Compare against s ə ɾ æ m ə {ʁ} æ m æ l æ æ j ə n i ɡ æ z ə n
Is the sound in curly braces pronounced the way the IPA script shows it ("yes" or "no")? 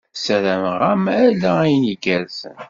yes